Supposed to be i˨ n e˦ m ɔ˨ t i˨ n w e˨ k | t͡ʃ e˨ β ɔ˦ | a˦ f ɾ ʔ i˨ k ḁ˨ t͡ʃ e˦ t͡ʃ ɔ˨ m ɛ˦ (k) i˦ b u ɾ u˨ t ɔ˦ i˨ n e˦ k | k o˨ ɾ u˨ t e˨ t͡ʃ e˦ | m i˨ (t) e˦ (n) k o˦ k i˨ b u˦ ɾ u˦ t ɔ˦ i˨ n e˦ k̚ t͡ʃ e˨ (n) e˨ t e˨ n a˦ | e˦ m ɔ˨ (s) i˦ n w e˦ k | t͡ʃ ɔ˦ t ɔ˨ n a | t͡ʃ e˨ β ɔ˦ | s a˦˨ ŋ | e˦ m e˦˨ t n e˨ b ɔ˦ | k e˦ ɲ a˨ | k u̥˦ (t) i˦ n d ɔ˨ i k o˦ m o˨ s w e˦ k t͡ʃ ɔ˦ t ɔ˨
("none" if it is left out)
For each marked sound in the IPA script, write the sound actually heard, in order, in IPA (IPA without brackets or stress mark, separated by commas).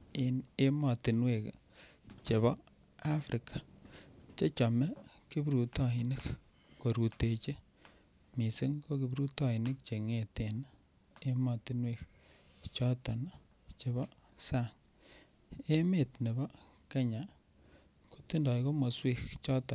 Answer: k, s, ŋ, ŋ, t, t